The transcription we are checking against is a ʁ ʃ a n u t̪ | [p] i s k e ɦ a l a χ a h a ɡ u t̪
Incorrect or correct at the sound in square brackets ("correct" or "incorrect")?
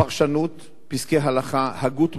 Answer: correct